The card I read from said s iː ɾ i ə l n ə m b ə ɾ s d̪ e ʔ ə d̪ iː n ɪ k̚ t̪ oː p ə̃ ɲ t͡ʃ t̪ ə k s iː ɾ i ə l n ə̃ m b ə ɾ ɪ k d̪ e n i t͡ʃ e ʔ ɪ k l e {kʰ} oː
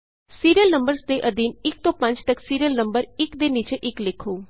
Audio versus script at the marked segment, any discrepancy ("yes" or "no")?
no